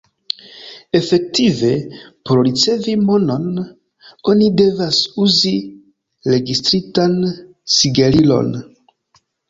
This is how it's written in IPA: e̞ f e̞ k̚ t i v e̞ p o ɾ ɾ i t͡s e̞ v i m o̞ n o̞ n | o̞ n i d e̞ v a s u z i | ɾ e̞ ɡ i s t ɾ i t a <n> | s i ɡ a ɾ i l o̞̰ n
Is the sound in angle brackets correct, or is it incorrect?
correct